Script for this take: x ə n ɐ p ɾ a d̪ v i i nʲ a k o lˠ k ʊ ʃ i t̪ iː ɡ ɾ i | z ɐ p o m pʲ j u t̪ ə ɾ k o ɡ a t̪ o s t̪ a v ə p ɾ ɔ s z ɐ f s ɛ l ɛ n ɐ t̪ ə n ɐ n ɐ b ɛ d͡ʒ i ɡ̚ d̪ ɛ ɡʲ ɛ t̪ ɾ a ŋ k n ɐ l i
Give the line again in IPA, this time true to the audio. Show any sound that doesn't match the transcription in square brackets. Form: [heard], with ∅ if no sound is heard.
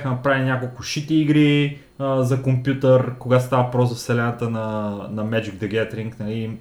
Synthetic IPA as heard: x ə n ɐ p ɾ a [∅] v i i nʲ a k o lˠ k ʊ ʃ i t̪ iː ɡ ɾ i | z ɐ [k] o m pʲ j u t̪ ə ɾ k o ɡ a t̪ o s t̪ a v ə p ɾ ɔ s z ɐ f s ɛ l ɛ n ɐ t̪ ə n ɐ n ɐ [m] ɛ d͡ʒ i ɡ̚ d̪ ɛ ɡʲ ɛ t̪ ɾ [i] ŋ k n ɐ l i